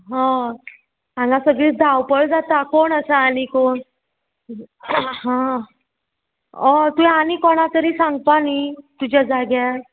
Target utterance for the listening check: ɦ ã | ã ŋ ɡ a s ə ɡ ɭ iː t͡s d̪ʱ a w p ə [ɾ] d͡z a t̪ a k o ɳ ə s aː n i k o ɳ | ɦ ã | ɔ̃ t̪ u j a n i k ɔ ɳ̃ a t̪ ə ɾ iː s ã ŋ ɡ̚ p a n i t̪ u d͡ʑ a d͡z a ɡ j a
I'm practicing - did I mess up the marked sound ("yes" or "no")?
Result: yes